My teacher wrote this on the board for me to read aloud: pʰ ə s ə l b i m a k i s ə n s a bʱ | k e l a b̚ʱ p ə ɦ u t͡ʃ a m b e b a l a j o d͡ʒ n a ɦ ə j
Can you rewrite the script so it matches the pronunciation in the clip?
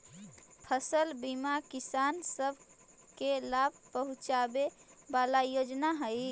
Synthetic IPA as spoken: pʰ ə s ə l b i m a k i s a n s ə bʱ | k e l a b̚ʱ p ə ɦ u t͡ʃ a b e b a l a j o d͡ʒ n a ɦ ə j